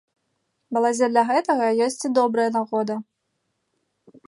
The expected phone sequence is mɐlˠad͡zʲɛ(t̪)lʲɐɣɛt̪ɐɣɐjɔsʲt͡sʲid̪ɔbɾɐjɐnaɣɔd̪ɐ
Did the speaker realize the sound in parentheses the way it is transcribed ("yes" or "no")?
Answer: no